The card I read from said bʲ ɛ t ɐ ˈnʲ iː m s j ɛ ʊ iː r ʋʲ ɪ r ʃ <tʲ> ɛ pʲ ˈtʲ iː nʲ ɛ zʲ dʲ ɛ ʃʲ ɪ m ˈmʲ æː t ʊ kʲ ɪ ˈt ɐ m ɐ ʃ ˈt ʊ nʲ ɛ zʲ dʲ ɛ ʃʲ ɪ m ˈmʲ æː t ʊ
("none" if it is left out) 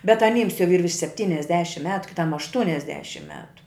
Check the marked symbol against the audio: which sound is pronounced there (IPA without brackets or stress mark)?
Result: sʲ